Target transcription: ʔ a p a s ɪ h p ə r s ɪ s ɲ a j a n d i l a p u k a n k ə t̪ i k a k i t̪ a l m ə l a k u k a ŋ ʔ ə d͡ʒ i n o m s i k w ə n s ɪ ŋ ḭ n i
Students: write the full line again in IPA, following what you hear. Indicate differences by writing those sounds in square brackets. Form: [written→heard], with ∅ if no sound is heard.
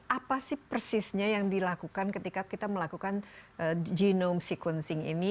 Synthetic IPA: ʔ a p a s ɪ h p ə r s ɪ s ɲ a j a [n→ŋ] d i l a [p→k] u k a n k ə t̪ i k a k i t̪ a [l→∅] m ə l a k u k a [ŋ→n] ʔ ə d͡ʒ i n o m s i k w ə n s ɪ ŋ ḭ n i